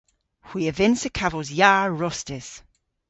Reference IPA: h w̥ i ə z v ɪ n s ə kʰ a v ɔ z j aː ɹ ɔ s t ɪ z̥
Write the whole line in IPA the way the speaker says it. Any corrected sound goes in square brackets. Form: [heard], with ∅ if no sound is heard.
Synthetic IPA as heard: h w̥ i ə [∅] v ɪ n s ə kʰ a v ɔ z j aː ɹ ɔ s t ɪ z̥